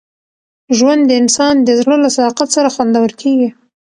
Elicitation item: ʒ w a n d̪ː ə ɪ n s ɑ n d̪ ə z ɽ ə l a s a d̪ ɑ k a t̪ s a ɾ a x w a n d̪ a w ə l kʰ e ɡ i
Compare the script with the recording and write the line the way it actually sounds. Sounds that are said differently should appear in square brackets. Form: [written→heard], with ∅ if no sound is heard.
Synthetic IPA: ʒ w a n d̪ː ə ɪ n s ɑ n d̪ ə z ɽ ə l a s a d̪ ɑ [k→q] a t̪ s a ɾ a x w a n d̪ a w ə l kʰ e ɡ i